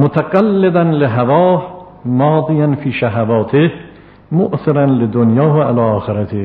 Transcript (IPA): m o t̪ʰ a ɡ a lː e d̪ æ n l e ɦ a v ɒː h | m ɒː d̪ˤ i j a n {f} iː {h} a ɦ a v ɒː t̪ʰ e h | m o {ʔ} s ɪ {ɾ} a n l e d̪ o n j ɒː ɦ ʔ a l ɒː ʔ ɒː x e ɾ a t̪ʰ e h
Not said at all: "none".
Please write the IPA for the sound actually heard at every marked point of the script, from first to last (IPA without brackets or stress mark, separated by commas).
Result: f, ʃ, ʔ, ɾ